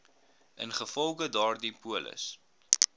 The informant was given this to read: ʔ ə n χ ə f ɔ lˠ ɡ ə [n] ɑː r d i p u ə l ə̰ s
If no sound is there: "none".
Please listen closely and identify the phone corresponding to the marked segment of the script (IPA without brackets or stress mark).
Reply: d